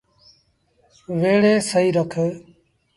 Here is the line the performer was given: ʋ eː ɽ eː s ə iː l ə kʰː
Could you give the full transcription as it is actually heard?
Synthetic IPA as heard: ʋ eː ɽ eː s ə iː ɾ ə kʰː